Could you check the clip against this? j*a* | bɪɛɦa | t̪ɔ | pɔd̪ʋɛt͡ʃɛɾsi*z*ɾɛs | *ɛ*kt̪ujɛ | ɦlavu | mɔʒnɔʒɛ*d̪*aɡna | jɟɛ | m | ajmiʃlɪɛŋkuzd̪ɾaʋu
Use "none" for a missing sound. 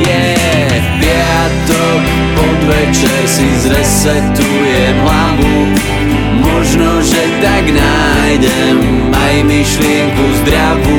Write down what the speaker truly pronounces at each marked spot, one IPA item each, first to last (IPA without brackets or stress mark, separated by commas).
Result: ɛ, z, ɛ, t̪